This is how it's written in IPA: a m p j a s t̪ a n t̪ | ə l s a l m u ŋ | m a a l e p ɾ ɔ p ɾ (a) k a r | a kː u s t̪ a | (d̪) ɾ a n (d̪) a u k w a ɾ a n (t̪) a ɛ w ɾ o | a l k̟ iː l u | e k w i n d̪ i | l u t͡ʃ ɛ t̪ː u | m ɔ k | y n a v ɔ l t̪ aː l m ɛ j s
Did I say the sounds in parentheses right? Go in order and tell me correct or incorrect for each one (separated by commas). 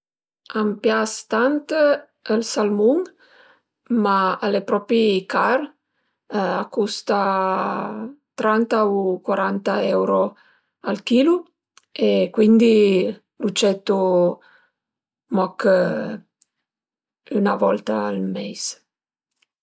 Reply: incorrect, incorrect, incorrect, correct